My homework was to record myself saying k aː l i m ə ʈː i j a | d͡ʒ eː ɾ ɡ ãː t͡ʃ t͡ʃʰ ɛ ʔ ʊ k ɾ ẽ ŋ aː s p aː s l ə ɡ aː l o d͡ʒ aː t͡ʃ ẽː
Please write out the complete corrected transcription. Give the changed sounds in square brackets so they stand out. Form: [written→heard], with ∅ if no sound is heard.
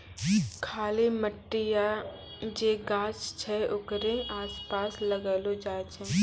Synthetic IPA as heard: [k→kʰ] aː l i m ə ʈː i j a | d͡ʒ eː [ɾ→∅] ɡ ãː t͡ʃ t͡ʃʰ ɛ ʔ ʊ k ɾ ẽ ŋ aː s p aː s l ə ɡ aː l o d͡ʒ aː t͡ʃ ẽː